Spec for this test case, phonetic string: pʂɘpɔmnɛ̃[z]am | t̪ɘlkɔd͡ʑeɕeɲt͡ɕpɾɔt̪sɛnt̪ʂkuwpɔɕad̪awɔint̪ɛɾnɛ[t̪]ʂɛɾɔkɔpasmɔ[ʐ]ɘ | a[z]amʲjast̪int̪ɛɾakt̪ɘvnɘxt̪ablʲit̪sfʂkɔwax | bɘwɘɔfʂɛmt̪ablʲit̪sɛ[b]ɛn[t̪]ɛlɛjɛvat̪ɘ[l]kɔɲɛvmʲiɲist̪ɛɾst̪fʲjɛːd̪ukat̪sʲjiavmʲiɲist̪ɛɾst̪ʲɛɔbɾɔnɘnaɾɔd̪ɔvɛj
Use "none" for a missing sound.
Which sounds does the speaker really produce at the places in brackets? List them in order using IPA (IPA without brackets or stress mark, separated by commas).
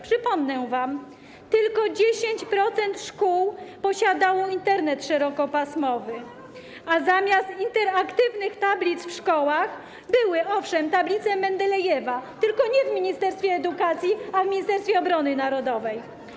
v, t̪, v, z, m, d̪, l